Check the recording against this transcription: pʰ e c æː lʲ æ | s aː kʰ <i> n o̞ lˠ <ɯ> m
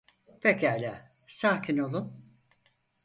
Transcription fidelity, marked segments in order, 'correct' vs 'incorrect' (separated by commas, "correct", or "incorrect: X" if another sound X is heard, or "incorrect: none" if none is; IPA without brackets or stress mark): correct, incorrect: u